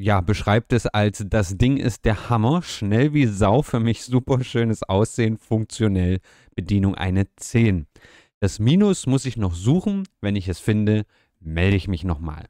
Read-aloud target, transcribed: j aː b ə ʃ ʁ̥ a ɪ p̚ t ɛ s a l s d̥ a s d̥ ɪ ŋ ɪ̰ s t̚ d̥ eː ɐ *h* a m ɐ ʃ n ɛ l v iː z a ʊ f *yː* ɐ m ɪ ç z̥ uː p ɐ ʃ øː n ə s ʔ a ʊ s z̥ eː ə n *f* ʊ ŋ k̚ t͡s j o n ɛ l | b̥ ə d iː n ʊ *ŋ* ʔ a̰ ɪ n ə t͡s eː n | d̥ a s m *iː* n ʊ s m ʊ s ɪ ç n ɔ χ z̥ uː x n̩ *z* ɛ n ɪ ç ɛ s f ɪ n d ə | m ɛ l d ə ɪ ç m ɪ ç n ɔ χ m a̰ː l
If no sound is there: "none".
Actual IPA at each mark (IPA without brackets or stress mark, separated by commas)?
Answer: h, yː, f, ŋ, iː, v